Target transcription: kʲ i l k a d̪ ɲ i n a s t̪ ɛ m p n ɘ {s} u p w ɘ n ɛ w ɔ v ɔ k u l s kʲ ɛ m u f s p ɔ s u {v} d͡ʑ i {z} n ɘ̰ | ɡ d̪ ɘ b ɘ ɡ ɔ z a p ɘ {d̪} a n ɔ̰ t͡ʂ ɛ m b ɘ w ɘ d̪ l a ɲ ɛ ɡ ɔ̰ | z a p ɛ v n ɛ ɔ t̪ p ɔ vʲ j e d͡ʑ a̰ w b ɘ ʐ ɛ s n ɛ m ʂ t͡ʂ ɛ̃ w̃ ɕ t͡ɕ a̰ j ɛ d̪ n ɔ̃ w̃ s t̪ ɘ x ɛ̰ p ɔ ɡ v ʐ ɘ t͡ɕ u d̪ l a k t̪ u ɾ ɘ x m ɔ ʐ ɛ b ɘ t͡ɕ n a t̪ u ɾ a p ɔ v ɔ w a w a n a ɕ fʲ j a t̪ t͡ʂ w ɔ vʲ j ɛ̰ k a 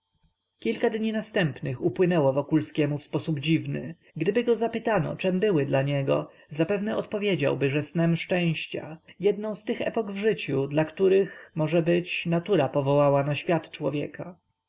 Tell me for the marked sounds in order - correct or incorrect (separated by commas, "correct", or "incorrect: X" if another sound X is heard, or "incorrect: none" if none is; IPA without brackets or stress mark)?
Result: incorrect: x, incorrect: b, incorrect: v, incorrect: t̪